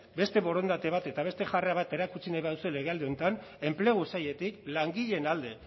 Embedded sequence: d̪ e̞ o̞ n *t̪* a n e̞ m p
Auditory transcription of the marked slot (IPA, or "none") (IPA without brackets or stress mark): t̪